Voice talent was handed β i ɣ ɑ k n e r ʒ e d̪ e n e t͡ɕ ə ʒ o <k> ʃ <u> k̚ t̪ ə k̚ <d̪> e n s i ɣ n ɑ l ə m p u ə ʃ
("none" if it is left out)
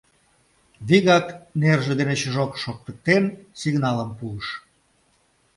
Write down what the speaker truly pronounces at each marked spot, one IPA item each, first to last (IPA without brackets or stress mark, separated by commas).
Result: k, o, t̪